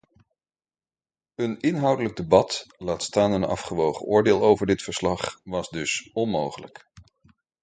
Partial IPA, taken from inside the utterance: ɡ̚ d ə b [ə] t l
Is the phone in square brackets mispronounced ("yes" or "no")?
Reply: yes